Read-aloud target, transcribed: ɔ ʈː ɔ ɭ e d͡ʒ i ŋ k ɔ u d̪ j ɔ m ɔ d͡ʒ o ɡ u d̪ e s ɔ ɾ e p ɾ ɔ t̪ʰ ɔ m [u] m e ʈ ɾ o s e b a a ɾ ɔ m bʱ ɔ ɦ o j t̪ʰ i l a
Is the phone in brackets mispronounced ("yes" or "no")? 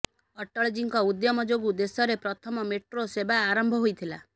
yes